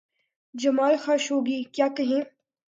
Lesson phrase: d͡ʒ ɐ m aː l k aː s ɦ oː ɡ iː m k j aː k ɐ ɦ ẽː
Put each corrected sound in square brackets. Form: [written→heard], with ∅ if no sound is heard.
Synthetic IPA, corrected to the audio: d͡ʒ ɐ m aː l [k→x] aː [s→ʃ] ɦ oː ɡ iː [m→∅] k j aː k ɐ ɦ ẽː

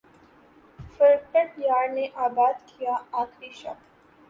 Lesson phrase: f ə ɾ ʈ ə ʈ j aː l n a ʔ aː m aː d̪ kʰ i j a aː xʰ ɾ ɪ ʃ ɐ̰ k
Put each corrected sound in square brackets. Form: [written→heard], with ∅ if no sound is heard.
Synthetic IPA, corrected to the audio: f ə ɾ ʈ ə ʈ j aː [l→ɾ] n [a→e] ʔ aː [m→b] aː d̪ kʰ i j a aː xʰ ɾ [ɪ→i] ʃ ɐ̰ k

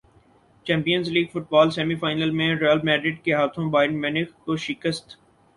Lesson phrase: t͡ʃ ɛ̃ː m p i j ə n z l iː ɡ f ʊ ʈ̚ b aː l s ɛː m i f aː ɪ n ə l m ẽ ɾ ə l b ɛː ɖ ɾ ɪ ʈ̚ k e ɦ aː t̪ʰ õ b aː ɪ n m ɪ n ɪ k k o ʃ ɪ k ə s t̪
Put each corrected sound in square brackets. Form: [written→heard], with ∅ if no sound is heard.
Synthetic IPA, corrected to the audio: t͡ʃ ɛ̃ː m p i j ə n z l iː ɡ f ʊ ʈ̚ b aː l s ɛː m i f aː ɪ n ə l m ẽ ɾ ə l [b→m] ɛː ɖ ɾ ɪ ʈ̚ k e ɦ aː t̪ʰ õ b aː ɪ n m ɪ n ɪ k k o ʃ ɪ k ə s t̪

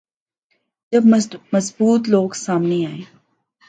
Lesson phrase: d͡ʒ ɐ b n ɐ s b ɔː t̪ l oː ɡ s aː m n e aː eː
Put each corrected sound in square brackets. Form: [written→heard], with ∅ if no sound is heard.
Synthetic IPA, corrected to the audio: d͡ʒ ɐ b [n→m] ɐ [s→z] b [ɔː→uː] t̪ l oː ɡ s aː m n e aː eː

